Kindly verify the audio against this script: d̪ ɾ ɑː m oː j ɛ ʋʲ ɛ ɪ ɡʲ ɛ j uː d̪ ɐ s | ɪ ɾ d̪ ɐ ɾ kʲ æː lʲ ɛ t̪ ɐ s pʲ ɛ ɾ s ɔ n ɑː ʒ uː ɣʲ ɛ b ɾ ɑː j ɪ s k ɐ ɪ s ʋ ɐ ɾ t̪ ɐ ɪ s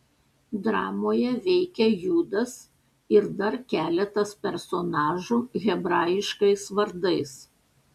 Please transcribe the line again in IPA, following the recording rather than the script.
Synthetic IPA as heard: d̪ ɾ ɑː m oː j ɛ ʋʲ ɛ ɪ kʲ ɛ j uː d̪ ɐ s | ɪ ɾ d̪ ɐ ɾ kʲ æː lʲ ɛ t̪ ɐ s pʲ ɛ ɾ s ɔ n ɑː ʒ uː ɣʲ ɛ b ɾ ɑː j ɪ ʃ k ɐ ɪ s ʋ ɐ ɾ d̪ ɐ ɪ s